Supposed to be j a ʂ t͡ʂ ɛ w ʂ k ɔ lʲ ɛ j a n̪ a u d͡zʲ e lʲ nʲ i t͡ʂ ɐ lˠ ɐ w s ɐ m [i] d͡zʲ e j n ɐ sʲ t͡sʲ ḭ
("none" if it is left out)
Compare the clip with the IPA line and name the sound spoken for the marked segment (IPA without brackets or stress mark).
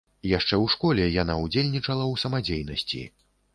a